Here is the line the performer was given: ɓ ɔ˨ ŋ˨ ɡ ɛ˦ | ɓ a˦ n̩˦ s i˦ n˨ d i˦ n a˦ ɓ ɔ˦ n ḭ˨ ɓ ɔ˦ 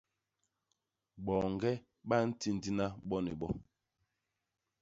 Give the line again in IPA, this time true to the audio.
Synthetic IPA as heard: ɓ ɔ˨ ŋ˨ ɡ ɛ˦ | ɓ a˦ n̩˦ t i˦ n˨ d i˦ n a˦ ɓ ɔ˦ n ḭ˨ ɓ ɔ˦